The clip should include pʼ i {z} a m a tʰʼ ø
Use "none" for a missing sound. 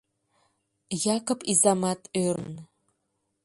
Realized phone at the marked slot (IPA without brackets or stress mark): z